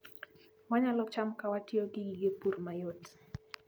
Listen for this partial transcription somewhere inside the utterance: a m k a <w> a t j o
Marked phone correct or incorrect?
correct